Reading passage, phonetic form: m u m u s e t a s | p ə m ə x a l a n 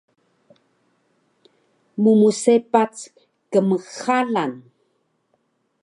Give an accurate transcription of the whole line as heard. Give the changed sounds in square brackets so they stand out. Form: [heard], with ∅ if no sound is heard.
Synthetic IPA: m u m u s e [p] a [t͡s] | [k] ə m ə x a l a n